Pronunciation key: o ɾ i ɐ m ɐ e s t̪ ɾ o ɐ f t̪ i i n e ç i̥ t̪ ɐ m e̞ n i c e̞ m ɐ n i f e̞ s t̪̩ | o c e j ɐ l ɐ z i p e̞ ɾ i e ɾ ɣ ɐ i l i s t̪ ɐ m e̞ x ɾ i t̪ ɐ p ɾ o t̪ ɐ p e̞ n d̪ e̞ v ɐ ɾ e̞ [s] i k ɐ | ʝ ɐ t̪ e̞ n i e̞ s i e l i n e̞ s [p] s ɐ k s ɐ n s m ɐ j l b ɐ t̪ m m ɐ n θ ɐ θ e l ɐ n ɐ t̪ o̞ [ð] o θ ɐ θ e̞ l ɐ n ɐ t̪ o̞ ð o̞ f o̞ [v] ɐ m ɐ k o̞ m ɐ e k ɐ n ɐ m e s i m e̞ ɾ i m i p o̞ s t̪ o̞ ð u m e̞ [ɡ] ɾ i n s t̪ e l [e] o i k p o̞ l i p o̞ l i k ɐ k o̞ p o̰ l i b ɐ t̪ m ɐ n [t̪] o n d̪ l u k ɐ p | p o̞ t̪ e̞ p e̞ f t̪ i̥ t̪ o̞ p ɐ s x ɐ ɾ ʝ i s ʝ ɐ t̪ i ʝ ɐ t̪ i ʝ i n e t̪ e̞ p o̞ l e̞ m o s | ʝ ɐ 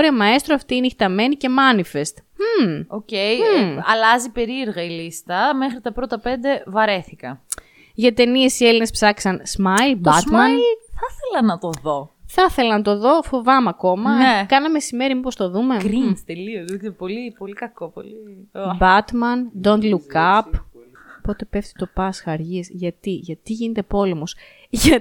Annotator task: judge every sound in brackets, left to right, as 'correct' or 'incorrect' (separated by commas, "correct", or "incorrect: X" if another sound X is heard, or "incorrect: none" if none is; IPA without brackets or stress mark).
incorrect: θ, correct, correct, correct, correct, incorrect: i, incorrect: d̪